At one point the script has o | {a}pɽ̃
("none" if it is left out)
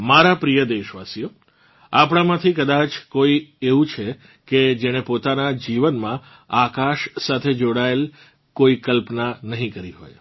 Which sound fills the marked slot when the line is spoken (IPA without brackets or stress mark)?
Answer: a